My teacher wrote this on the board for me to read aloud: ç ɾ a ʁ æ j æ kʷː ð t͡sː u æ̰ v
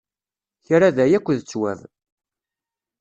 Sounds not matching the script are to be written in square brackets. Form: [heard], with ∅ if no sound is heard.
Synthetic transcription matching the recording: ç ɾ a [ð] æ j æ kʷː ð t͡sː [w] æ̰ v